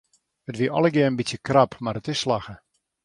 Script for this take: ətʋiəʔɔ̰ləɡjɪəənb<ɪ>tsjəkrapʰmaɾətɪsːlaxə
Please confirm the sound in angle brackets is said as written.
no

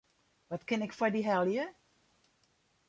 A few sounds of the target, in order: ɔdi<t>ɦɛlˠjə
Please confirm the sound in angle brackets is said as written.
no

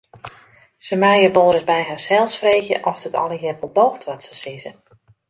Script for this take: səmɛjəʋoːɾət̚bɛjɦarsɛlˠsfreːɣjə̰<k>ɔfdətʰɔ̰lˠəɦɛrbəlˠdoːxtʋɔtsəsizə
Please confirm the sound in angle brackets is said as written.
no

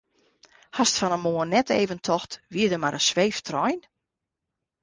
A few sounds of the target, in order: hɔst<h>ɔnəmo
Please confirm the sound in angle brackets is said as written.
no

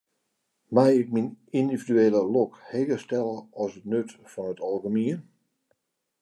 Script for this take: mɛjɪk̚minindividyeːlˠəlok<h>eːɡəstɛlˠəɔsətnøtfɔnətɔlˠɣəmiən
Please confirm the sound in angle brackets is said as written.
yes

